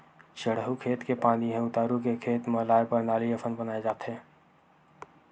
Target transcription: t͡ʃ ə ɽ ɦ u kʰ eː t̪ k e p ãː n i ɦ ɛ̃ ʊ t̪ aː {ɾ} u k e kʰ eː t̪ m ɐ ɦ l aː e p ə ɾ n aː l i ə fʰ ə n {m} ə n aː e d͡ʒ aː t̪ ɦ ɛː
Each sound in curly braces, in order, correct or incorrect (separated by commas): correct, incorrect